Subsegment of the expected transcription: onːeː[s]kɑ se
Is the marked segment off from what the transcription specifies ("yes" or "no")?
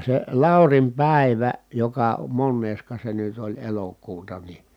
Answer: no